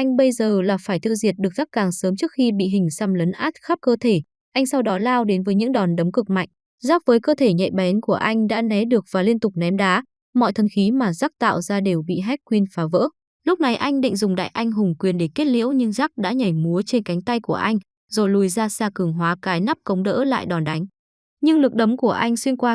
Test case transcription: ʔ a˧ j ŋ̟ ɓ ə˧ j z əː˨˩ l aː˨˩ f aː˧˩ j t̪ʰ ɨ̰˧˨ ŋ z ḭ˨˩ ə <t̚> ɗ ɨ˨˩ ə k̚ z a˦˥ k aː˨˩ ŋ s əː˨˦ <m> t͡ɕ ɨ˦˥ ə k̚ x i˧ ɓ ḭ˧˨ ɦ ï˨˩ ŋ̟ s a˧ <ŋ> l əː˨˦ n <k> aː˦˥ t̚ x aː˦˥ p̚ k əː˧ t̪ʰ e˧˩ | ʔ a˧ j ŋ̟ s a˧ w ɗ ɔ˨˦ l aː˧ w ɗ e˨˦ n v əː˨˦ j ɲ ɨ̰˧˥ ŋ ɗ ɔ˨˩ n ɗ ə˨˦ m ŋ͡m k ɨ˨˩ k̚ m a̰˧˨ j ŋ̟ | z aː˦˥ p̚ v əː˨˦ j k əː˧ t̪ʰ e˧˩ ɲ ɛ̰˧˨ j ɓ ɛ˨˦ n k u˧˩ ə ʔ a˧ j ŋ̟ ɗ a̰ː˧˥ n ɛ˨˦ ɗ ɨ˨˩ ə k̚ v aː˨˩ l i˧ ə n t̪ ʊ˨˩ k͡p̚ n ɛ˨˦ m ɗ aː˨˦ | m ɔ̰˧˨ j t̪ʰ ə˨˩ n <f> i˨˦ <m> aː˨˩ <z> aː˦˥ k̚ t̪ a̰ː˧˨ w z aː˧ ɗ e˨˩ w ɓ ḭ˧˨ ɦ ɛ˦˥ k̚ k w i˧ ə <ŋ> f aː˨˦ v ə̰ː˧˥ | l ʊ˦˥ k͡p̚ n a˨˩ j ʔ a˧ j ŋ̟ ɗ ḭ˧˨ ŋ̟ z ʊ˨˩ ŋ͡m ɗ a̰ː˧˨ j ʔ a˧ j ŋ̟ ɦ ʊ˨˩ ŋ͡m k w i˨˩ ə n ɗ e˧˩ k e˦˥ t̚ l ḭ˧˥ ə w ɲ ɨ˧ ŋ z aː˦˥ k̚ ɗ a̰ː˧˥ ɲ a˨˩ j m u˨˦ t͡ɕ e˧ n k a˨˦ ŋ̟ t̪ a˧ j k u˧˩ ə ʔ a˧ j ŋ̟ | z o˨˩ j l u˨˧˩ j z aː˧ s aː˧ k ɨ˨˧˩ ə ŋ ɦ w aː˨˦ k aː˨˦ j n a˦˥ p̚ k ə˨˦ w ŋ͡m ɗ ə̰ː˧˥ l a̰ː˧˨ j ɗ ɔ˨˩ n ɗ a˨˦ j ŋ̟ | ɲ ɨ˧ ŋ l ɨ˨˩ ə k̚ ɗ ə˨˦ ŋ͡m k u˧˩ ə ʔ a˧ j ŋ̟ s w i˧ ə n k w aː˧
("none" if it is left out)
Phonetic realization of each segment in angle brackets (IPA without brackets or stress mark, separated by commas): t̚, m, m, ʔ, x, m, z, n